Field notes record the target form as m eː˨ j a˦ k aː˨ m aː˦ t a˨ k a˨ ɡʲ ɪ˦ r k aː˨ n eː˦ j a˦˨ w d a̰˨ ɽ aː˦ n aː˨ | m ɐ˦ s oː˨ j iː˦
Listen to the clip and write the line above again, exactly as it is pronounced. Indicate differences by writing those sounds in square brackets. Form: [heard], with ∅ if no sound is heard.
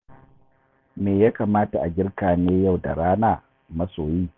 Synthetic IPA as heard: m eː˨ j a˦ k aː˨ m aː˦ t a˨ [ʔ] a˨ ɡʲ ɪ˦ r k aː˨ n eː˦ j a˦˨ w d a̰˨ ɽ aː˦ n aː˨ | m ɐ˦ s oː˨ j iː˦